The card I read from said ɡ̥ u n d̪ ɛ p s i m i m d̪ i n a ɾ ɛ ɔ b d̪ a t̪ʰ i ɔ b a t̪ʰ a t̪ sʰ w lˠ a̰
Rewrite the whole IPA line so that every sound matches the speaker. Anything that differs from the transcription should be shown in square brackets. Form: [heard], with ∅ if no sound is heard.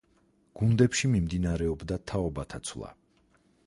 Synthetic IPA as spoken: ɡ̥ u n d̪ ɛ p [ʃ] i m i m d̪ i n a ɾ ɛ ɔ b d̪ a t̪ʰ [a] ɔ b a t̪ʰ a t̪ sʰ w lˠ a̰

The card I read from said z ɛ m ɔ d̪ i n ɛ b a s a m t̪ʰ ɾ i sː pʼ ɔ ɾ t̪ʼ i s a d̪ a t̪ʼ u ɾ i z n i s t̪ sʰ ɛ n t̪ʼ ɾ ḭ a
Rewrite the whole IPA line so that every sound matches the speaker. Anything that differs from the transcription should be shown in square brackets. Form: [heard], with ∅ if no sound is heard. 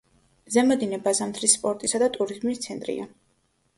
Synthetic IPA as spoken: z ɛ m ɔ d̪ i n ɛ b a [z] a m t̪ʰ ɾ i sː pʼ ɔ ɾ t̪ʼ i s a d̪ a t̪ʼ u ɾ i z [m] i s t̪ sʰ ɛ n t̪ʼ ɾ ḭ a

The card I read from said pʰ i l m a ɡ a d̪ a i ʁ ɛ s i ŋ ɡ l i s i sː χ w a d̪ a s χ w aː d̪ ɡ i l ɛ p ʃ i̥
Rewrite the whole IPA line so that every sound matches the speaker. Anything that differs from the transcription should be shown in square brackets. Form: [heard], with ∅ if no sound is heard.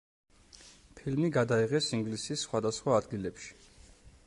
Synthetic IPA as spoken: pʰ i l m [i] ɡ a d̪ a i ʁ ɛ s i ŋ ɡ l i s i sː χ w a d̪ a s χ w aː d̪ ɡ i l ɛ p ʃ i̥

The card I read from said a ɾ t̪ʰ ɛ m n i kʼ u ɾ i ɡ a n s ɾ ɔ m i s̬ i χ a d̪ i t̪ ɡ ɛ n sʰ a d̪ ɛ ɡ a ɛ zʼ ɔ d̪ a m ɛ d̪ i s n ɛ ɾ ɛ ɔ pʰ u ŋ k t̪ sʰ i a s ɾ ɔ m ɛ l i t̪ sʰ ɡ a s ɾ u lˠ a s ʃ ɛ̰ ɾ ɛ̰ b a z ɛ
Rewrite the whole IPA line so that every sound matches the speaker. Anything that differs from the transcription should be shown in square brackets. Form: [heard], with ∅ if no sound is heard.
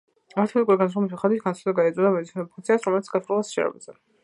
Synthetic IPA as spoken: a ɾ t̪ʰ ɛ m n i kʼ u ɾ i ɡ a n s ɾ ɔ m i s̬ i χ a d̪ i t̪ ɡ [a] n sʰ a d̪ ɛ ɡ a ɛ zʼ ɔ d̪ a m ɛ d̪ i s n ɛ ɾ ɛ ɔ pʰ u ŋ k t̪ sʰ i a s ɾ ɔ m ɛ l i t̪ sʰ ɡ a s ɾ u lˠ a s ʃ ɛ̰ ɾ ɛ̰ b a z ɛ

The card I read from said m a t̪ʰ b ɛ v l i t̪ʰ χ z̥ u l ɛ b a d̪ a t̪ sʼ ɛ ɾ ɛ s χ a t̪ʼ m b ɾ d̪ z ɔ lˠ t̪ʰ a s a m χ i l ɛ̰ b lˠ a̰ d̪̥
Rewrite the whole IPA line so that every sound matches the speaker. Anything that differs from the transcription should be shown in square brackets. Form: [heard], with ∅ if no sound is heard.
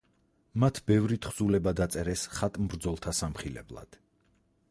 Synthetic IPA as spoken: m a t̪ʰ b ɛ v [ɾ] i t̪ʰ χ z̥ u l ɛ b a d̪ a t̪ sʼ ɛ ɾ ɛ s χ a t̪ʼ m b ɾ d̪ z ɔ lˠ t̪ʰ a s a m χ i l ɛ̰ b lˠ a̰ d̪̥

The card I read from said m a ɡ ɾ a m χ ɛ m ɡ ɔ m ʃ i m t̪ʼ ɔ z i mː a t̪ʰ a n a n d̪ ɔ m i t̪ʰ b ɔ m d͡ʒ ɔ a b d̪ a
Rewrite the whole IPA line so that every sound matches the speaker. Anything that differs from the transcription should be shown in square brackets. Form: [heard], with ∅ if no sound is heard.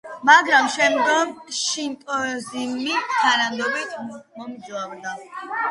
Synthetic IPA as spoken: m a ɡ ɾ a m [ʃ] ɛ m ɡ ɔ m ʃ i [n] t̪ʼ ɔ z i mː [i] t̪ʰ a n a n d̪ ɔ [b] i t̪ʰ [m] ɔ m d͡ʒ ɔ a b d̪ a

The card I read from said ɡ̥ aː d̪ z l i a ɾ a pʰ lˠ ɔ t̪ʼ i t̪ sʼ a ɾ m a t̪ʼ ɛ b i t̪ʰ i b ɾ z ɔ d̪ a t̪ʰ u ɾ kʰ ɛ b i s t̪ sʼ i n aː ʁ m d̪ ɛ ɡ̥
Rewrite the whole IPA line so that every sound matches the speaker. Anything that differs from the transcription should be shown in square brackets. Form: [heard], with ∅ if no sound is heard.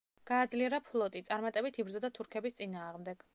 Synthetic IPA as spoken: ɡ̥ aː d̪ z l i [ɛ] ɾ a pʰ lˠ ɔ t̪ʼ i t̪ sʼ a ɾ m a t̪ʼ ɛ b i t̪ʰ i b ɾ z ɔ d̪ a t̪ʰ u ɾ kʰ ɛ b i s t̪ sʼ i n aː ʁ m d̪ ɛ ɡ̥

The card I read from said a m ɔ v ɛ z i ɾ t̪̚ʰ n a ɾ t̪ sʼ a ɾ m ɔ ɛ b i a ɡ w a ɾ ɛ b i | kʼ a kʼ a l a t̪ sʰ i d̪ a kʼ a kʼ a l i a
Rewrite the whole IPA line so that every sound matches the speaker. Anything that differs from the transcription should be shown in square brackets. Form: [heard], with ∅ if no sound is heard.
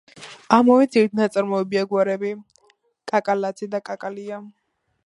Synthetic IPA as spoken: a m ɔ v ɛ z i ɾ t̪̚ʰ n a [∅] t̪ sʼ a ɾ m ɔ ɛ b i a ɡ w a ɾ ɛ b i | kʼ a kʼ a l a t̪ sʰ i d̪ a kʼ a kʼ a l i a

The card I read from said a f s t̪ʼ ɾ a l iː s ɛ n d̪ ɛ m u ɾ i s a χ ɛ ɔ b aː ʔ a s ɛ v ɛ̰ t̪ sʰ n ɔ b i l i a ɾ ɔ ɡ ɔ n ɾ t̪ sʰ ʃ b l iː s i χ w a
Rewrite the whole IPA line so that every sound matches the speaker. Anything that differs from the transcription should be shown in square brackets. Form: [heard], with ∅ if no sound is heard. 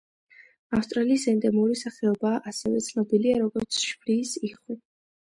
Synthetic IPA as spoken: a f s t̪ʼ ɾ a l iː s ɛ n d̪ ɛ m u ɾ i s a χ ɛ ɔ b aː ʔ a s ɛ v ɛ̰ t̪ sʰ n ɔ b i l i a ɾ ɔ ɡ ɔ [∅] ɾ t̪ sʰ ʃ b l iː s i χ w [i]

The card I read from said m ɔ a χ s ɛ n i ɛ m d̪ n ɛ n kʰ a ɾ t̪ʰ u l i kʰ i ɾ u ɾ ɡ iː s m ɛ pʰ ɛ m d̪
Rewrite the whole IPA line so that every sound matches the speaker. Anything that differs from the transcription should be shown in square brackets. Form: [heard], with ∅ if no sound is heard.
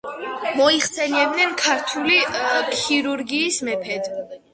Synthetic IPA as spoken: m ɔ [i] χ s ɛ n i ɛ [b] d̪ n ɛ n kʰ a ɾ t̪ʰ u l i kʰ i ɾ u ɾ ɡ iː s m ɛ pʰ ɛ [∅] d̪

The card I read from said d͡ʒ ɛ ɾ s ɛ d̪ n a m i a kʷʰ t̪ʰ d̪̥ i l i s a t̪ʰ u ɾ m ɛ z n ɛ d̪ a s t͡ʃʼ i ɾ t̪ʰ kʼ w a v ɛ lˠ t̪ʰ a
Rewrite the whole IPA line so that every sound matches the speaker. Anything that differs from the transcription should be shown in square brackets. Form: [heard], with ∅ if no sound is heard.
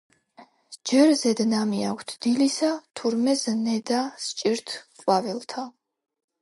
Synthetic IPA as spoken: d͡ʒ ɛ ɾ [z] ɛ d̪ n a m i a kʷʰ t̪ʰ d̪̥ i l i s a t̪ʰ u ɾ m ɛ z n ɛ d̪ a s t͡ʃʼ i ɾ t̪ʰ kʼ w a v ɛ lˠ t̪ʰ a

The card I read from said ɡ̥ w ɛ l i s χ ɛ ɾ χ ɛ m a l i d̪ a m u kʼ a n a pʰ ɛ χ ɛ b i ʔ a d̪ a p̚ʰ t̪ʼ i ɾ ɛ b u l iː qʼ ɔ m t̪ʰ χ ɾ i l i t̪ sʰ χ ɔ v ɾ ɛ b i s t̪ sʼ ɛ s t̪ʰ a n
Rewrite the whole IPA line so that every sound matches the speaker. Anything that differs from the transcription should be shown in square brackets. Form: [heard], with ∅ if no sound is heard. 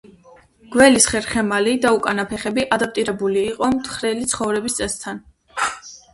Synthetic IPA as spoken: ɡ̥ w ɛ l i s χ ɛ ɾ χ ɛ m a l i d̪ a [∅] u kʼ a n a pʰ ɛ χ ɛ b i ʔ a d̪ a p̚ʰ t̪ʼ i ɾ ɛ b u l iː qʼ ɔ m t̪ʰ χ ɾ [ɛ] l i t̪ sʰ χ ɔ v ɾ ɛ b i s t̪ sʼ ɛ s t̪ʰ a n

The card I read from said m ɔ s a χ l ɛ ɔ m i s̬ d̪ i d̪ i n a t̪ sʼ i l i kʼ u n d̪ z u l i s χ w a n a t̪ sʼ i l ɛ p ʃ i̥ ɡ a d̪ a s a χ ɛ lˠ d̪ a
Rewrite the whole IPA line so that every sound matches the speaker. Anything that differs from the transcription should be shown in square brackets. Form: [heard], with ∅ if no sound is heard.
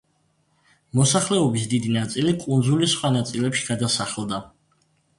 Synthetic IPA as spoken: m ɔ s a χ l ɛ ɔ [b] i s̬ d̪ i d̪ i n a t̪ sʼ i l i kʼ u n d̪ z u l i s χ w a n a t̪ sʼ i l ɛ p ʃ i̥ ɡ a d̪ a s a χ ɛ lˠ d̪ a

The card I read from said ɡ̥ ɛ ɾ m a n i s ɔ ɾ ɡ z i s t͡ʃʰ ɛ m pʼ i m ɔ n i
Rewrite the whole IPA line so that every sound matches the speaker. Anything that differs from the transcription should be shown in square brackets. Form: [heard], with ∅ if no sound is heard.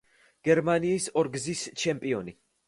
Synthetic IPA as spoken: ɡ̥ ɛ ɾ m a n [iː] s ɔ ɾ ɡ z i s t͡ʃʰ ɛ m pʼ i [∅] ɔ n i

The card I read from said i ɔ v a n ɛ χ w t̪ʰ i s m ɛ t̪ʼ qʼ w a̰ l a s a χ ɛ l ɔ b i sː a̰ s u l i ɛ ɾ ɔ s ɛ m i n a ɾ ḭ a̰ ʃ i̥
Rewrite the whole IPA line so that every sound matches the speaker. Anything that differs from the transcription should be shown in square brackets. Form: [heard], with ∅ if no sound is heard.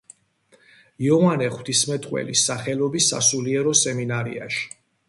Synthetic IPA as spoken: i ɔ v a n ɛ χ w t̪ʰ i s m ɛ t̪ʼ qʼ w [ɛ̰] l [i] s a χ ɛ l ɔ b i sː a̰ s u l i ɛ ɾ ɔ s ɛ m i n a ɾ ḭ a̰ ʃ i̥

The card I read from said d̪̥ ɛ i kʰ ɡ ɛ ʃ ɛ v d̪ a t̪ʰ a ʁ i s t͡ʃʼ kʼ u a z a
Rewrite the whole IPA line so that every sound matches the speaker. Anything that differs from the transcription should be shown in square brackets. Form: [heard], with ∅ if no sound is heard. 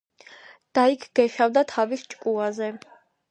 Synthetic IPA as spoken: d̪̥ [a] i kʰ ɡ ɛ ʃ [a] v d̪ a t̪ʰ a [v] i s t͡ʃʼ kʼ u a z [ɛ]

